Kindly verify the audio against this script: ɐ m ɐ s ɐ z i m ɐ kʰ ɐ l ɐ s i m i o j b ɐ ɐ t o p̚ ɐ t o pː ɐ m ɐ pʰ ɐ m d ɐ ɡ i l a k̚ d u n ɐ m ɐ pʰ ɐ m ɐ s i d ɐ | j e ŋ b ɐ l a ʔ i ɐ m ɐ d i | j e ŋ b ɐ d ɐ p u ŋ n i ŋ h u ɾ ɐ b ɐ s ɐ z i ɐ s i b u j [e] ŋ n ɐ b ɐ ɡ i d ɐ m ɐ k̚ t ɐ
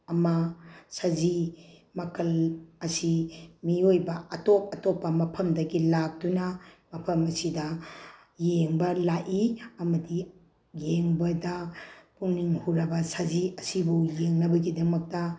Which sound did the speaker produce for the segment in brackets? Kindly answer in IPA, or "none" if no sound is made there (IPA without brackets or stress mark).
e